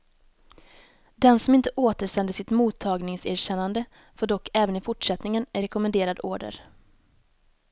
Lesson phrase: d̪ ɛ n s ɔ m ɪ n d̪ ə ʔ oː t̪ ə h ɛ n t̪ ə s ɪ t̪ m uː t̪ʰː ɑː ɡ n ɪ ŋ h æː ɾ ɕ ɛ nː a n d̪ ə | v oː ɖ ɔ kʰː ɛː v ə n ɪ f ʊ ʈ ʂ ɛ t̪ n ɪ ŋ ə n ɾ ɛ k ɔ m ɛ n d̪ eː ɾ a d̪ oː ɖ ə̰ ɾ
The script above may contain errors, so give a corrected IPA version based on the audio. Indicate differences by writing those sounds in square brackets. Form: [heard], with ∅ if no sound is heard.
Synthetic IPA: d̪ ɛ n s ɔ m ɪ n [t̪] ə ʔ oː t̪ ə [ʂ] ɛ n [d̪] ə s ɪ t̪ m uː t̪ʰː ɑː ɡ n ɪ ŋ [s] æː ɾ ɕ ɛ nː a n d̪ ə | [f] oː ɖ ɔ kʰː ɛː v ə n ɪ f ʊ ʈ ʂ ɛ t̪ n ɪ ŋ ə n ɾ ɛ k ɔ m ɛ n d̪ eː ɾ a d̪ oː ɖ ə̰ ɾ